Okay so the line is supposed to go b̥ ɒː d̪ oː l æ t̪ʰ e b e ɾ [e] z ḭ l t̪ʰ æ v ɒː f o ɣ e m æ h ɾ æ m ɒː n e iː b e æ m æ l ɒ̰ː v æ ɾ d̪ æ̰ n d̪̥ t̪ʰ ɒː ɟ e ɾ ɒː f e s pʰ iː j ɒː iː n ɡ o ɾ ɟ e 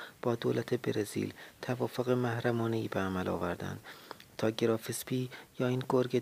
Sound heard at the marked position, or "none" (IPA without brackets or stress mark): e